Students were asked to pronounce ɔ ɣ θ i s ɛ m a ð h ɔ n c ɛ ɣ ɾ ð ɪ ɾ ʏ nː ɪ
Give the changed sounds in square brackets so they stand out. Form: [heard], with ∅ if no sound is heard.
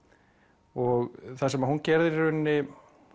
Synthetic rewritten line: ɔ ɣ θ [a] s ɛ m a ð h [u] n c ɛ [∅] ɾ ð ɪ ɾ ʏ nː ɪ